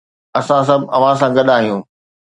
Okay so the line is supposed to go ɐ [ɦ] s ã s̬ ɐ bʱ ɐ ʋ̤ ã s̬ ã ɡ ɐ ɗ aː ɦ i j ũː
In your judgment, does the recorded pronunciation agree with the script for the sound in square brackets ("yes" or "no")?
no